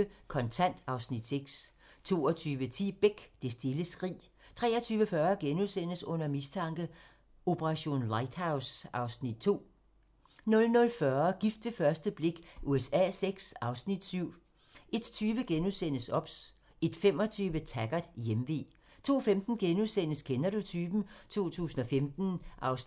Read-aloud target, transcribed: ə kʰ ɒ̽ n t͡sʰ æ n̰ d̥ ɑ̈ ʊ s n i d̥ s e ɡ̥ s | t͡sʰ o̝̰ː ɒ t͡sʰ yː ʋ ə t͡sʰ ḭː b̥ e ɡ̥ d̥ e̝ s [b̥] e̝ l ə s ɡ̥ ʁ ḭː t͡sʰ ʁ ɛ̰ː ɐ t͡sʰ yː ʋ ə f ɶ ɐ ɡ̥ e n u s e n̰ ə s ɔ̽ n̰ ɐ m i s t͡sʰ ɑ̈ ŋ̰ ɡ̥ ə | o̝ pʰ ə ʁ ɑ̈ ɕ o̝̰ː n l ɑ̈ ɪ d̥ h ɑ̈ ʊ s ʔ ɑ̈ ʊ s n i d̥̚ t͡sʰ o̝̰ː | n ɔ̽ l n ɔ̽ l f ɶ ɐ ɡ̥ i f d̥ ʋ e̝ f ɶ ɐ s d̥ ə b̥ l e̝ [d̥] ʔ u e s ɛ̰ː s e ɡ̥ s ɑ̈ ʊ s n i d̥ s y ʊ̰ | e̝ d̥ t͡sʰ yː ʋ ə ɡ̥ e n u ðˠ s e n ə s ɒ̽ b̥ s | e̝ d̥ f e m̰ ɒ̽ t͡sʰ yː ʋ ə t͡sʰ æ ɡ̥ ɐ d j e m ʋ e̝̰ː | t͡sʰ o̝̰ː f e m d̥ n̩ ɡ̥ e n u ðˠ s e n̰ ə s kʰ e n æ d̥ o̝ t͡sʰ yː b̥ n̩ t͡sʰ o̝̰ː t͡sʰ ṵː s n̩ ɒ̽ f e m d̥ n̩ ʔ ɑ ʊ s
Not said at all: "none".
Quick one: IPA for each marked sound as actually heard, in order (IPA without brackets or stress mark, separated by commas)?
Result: d̥, ɡ̥